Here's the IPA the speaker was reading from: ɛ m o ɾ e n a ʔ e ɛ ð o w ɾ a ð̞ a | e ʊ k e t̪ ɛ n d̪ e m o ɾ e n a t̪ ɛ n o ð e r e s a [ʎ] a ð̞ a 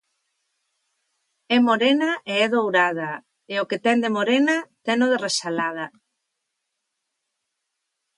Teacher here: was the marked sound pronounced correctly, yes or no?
no